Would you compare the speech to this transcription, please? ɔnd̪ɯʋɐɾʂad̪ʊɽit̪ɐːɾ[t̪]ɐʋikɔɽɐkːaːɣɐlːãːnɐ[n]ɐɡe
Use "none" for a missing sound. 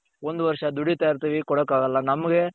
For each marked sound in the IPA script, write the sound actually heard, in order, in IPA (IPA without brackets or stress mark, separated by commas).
t̪, m